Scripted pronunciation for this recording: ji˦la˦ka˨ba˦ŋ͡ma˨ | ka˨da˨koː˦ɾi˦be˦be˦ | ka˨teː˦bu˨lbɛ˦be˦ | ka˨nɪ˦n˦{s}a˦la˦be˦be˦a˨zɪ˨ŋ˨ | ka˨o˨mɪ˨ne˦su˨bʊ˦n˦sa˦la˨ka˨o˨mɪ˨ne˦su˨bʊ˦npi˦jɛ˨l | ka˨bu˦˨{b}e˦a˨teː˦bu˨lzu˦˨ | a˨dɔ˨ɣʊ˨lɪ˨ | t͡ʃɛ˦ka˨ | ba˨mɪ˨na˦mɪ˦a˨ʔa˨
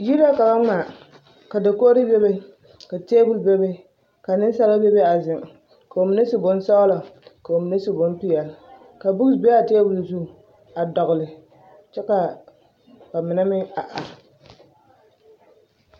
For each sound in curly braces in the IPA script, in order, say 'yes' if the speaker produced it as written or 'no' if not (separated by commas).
yes, yes